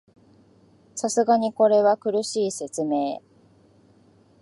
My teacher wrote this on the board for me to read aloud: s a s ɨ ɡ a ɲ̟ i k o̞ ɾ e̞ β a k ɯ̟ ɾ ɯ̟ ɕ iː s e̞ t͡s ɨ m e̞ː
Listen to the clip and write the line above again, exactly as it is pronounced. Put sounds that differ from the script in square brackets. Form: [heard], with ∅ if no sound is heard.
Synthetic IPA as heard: s a s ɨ ɡ a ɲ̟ i k o̞ ɾ e̞ β a k ɯ̟ ɾ ɯ̟ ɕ iː s e̞ t͡s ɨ m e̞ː

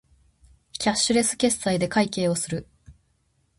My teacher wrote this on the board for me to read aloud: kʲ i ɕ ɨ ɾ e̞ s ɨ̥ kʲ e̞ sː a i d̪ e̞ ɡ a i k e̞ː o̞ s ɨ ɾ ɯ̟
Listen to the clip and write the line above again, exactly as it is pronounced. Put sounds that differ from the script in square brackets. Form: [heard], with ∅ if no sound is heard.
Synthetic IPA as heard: kʲ [a] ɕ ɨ ɾ e̞ s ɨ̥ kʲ e̞ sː a i d̪ e̞ [k] a i k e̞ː o̞ s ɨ ɾ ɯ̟

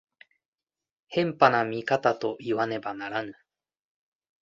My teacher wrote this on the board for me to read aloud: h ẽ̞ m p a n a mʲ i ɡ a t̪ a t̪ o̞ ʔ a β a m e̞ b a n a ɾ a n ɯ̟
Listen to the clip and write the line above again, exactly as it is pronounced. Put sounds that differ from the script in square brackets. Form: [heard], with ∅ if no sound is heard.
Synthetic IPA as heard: h ẽ̞ m p a n a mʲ i [k] a t̪ a t̪ o̞ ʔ [i] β a [n] e̞ b a n a ɾ a n ɯ̟

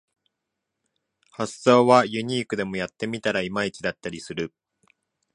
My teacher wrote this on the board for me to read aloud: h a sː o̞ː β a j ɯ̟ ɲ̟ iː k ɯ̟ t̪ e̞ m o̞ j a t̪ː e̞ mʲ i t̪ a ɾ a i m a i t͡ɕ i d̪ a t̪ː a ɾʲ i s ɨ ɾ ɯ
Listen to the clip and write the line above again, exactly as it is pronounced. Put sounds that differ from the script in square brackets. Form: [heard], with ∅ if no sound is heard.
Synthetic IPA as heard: h a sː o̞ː β a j ɯ̟ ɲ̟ iː k ɯ̟ [d̪] e̞ m o̞ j a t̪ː e̞ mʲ i t̪ a ɾ a i m a i t͡ɕ i d̪ a t̪ː a ɾʲ i s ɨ ɾ ɯ

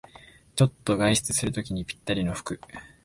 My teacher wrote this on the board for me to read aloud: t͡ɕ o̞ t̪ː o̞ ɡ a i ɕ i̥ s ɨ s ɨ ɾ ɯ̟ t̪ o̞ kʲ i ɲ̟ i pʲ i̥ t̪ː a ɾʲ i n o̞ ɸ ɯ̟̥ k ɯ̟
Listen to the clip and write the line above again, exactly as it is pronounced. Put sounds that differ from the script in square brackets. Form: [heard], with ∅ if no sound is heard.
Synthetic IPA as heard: t͡ɕ o̞ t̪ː o̞ ɡ a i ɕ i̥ [t͡s] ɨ s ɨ ɾ ɯ̟ t̪ o̞ kʲ i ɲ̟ i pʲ i̥ t̪ː a ɾʲ i n o̞ ɸ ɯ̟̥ k ɯ̟

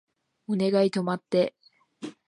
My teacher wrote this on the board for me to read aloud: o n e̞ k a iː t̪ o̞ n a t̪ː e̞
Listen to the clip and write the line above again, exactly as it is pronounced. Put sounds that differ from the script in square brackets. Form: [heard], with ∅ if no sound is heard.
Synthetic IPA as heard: o n e̞ [ɡ] a [i] t̪ o̞ [m] a t̪ː e̞

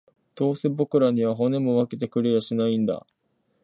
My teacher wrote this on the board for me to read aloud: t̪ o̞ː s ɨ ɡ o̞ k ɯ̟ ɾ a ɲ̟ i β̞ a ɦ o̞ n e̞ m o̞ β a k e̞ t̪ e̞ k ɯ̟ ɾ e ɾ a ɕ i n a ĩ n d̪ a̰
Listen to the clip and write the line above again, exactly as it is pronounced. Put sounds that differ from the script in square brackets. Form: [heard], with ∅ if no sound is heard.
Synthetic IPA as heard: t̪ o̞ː s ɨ [b] o̞ k ɯ̟ ɾ a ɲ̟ i β̞ a ɦ o̞ n e̞ m o̞ β a k e̞ t̪ e̞ k ɯ̟ ɾ e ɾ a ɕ i n a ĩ n d̪ a̰

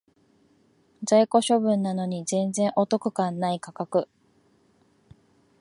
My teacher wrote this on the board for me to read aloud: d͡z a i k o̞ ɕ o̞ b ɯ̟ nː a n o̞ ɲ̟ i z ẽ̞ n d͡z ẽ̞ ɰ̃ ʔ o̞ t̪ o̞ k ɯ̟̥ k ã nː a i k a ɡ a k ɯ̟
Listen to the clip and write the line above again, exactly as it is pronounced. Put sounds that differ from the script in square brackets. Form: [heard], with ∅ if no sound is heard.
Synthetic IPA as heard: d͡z a i k o̞ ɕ o̞ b [ɯ̟̃] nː a n o̞ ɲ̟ i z ẽ̞ n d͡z ẽ̞ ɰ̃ ʔ o̞ t̪ o̞ k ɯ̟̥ k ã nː a i k a [k] a k ɯ̟

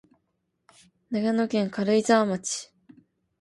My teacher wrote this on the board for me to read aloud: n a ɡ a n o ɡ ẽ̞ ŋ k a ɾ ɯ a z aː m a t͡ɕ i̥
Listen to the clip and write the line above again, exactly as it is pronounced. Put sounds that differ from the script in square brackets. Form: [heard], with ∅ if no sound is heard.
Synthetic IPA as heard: n a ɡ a n o [k] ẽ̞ ŋ k a ɾ ɯ [i] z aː m a t͡ɕ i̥

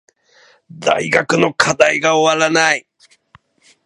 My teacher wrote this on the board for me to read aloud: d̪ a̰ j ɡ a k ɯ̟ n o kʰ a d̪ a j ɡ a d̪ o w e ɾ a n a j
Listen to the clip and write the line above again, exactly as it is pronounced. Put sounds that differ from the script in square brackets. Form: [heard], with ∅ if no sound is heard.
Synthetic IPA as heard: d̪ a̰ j ɡ a k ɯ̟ n o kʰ a d̪ a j ɡ a [∅] o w [a] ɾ a n a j

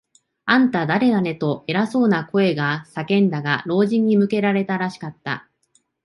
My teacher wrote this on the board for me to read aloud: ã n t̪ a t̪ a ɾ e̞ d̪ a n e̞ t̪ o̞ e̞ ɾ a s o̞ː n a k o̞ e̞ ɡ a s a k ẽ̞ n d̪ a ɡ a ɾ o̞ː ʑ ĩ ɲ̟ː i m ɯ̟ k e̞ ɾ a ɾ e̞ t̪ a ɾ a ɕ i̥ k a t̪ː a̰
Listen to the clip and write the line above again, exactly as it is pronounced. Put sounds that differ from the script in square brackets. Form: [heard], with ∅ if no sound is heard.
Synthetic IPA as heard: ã n t̪ a [d̪] a ɾ e̞ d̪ a n e̞ t̪ o̞ e̞ ɾ a s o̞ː n a k o̞ e̞ ɡ a s a k ẽ̞ n d̪ a ɡ a ɾ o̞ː ʑ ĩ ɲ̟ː i m ɯ̟ k e̞ ɾ a ɾ e̞ t̪ a ɾ a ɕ i̥ k a t̪ː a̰

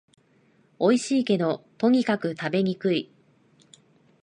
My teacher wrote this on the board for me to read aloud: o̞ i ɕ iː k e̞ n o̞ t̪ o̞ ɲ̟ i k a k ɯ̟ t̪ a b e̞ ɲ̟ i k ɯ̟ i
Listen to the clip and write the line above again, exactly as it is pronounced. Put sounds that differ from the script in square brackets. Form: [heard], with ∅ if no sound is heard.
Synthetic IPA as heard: o̞ i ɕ iː k e̞ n o̞ t̪ o̞ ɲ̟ i k a k ɯ̟ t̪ a b e̞ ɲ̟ i k ɯ̟ i

